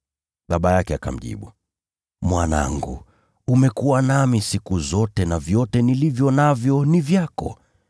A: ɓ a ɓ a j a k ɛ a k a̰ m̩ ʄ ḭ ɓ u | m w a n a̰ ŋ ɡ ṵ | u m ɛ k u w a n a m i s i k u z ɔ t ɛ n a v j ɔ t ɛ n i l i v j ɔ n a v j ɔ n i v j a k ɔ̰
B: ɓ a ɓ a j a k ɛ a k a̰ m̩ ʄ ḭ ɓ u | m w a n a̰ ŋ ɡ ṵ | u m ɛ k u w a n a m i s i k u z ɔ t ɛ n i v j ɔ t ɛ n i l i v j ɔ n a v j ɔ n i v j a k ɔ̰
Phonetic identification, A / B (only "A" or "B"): A